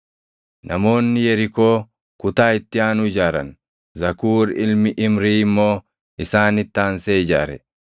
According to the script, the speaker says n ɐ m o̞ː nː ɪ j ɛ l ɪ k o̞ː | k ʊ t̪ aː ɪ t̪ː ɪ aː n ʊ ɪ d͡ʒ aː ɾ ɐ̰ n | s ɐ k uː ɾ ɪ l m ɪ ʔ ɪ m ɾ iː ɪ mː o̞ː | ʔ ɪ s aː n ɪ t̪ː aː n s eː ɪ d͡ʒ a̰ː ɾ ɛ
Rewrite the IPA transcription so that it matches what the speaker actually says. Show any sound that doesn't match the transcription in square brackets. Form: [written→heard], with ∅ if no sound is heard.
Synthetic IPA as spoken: n ɐ m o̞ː nː ɪ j ɛ [l→ɾ] ɪ k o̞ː | k ʊ t̪ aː ɪ t̪ː ɪ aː n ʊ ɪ d͡ʒ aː ɾ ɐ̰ n | [s→z] ɐ k uː ɾ ɪ l m ɪ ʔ ɪ m ɾ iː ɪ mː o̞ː | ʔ ɪ s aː n ɪ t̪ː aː n s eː ɪ d͡ʒ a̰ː ɾ ɛ

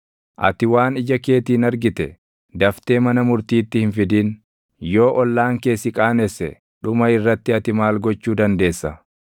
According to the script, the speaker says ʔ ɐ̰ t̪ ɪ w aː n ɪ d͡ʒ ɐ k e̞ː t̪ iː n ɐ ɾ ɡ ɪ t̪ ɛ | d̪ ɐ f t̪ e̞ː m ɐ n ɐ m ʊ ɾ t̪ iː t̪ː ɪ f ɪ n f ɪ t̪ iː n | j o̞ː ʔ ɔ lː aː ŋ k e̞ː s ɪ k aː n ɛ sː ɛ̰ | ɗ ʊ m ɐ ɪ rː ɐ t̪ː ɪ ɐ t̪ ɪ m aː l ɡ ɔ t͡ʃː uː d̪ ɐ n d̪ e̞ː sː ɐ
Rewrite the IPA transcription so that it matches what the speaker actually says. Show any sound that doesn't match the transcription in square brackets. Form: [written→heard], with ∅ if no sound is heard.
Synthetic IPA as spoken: ʔ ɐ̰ t̪ ɪ w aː n ɪ d͡ʒ ɐ k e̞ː t̪ iː n ɐ ɾ ɡ ɪ t̪ ɛ | d̪ ɐ f t̪ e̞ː m ɐ n ɐ m ʊ ɾ t̪ iː t̪ː ɪ [f→h] ɪ n f ɪ [t̪→d̪] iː n | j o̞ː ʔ ɔ lː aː ŋ k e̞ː s ɪ [k→kʼ] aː n ɛ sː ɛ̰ | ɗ ʊ m ɐ ɪ rː ɐ t̪ː ɪ ɐ t̪ ɪ m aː l ɡ ɔ t͡ʃː uː d̪ ɐ n d̪ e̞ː sː ɐ

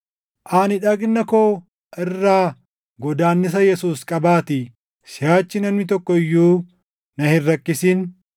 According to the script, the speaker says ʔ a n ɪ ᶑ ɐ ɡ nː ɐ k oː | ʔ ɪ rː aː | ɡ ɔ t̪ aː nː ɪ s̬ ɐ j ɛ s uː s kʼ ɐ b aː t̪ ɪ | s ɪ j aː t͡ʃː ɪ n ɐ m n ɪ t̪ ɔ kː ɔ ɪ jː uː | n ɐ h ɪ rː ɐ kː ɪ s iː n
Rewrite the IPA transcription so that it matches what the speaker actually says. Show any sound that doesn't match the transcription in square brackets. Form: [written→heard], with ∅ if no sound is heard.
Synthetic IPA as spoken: ʔ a n ɪ ᶑ ɐ ɡ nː ɐ k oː | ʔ ɪ rː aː | ɡ ɔ [t̪→d̪] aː nː ɪ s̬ ɐ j ɛ s uː s kʼ ɐ b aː t̪ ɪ | s ɪ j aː t͡ʃː ɪ n ɐ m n ɪ t̪ ɔ kː ɔ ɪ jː uː | n ɐ h ɪ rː ɐ kː ɪ s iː n

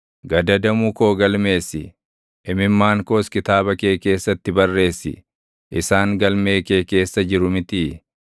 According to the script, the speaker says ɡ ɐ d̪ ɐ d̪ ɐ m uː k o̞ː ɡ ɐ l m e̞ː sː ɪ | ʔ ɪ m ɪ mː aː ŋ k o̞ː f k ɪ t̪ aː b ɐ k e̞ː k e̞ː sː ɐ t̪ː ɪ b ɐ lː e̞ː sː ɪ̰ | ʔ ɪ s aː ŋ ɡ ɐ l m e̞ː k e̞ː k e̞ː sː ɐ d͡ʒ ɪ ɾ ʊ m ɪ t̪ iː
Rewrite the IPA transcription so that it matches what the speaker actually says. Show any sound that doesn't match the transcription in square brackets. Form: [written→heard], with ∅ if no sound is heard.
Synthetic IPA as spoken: ɡ ɐ d̪ ɐ d̪ ɐ m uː k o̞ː ɡ ɐ l m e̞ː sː ɪ | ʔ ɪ m ɪ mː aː ŋ k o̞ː [f→s] k ɪ t̪ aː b ɐ k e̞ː k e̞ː sː ɐ t̪ː ɪ b ɐ [lː→rː] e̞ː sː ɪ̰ | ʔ ɪ s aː ŋ ɡ ɐ l m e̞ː k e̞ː k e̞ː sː ɐ d͡ʒ ɪ ɾ ʊ m ɪ t̪ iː

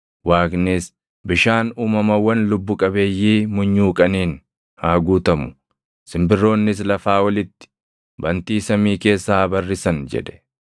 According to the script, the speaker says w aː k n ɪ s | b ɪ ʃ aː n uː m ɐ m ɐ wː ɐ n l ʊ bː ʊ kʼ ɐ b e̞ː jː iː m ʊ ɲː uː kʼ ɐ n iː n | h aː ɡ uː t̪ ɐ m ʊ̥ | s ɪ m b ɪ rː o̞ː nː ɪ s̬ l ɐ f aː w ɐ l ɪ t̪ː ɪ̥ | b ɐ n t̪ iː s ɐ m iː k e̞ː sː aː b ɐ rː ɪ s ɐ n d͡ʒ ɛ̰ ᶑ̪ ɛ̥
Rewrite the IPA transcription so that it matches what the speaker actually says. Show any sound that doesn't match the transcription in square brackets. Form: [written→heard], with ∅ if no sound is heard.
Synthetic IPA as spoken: w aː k n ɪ s | b ɪ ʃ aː n uː m ɐ m ɐ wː ɐ n l ʊ bː ʊ kʼ ɐ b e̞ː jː iː m ʊ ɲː uː kʼ ɐ n iː n | h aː ɡ uː t̪ ɐ m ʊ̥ | s ɪ m b ɪ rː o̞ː nː ɪ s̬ l ɐ f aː w ɐ l ɪ t̪ː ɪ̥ | b ɐ n t̪ iː s ɐ m iː k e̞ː sː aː b ɐ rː ɪ s ɐ n d͡ʒ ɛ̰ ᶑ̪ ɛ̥

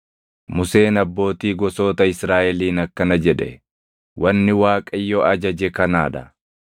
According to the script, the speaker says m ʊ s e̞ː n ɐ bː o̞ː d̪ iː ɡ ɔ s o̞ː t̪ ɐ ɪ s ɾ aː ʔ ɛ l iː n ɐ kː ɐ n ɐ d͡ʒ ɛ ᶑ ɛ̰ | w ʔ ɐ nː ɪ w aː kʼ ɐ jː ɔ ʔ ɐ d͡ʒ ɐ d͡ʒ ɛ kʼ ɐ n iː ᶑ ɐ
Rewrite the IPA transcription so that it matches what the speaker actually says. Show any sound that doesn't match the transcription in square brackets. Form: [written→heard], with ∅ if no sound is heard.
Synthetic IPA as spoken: m ʊ s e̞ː n ɐ bː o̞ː [d̪→t̪] iː ɡ ɔ s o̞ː t̪ ɐ ɪ s ɾ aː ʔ ɛ l iː n ɐ kː ɐ n ɐ d͡ʒ ɛ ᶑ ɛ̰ | w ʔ ɐ nː ɪ w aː kʼ ɐ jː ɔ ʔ ɐ d͡ʒ ɐ d͡ʒ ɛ [kʼ→k] ɐ n [iː→aː] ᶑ ɐ

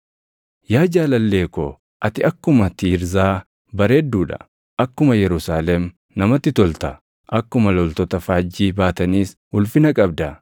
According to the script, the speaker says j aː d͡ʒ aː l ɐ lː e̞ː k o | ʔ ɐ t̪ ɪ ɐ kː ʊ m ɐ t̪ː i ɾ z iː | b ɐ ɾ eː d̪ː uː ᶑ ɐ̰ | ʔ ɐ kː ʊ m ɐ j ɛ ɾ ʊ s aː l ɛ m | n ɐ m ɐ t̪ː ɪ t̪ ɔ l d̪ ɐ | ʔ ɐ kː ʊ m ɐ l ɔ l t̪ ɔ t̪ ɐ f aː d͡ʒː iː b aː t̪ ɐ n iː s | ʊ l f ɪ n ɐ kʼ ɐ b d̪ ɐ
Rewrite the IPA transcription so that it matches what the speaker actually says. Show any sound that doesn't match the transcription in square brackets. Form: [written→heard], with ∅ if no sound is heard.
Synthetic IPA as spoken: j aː d͡ʒ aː l ɐ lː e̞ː k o | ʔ ɐ t̪ ɪ ɐ kː ʊ m ɐ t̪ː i ɾ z [iː→aː] | b ɐ ɾ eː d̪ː uː ᶑ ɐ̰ | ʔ ɐ kː ʊ m ɐ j ɛ ɾ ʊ s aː l ɛ m | n ɐ m ɐ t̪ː ɪ t̪ ɔ l [d̪→t̪] ɐ | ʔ ɐ kː ʊ m ɐ l ɔ l t̪ ɔ t̪ ɐ f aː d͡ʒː iː b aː t̪ ɐ n iː s | ʊ l f ɪ n ɐ kʼ ɐ b d̪ ɐ

